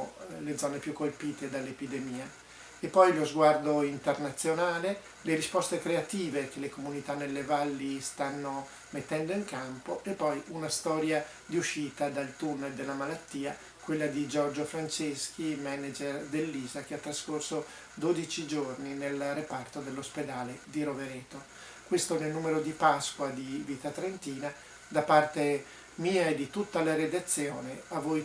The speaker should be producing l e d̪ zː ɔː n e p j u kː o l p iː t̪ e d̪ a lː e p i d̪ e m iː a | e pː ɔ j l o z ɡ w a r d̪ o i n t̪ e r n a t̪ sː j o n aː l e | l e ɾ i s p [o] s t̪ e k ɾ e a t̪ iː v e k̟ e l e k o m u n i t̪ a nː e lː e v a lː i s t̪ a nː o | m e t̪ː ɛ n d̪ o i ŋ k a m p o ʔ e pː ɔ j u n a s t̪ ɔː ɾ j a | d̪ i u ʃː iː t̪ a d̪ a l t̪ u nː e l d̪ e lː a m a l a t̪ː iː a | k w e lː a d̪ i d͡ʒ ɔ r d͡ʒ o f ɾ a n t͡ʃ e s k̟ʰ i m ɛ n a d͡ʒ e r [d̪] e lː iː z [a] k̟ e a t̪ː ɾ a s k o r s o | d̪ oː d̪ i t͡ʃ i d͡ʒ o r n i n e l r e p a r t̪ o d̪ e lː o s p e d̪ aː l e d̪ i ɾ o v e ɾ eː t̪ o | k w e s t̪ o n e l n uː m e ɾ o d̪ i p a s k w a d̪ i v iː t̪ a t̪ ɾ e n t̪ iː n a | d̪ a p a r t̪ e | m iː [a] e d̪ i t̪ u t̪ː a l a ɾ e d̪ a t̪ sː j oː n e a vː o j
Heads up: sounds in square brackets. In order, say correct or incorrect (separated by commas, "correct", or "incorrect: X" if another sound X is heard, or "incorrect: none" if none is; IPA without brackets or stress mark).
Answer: incorrect: ɔ, correct, correct, correct